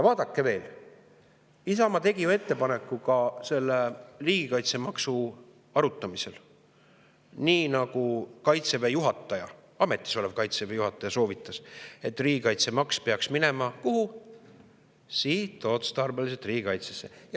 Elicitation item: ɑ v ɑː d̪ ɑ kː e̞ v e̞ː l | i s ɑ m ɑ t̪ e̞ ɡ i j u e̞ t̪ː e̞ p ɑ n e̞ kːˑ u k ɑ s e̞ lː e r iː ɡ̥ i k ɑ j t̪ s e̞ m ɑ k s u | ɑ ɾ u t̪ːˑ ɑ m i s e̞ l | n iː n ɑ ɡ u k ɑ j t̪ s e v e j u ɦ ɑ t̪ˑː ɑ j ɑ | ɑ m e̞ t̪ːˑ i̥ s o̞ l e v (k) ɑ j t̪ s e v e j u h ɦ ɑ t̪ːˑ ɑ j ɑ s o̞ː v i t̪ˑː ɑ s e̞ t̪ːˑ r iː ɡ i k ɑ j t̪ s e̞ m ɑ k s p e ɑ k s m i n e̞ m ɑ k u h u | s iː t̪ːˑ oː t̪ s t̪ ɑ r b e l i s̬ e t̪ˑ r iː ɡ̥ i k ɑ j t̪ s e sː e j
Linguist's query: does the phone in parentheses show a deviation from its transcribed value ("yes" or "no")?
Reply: no